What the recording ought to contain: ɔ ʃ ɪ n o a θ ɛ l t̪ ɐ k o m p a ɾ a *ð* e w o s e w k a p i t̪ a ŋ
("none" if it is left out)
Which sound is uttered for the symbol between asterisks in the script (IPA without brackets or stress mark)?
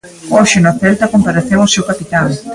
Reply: θ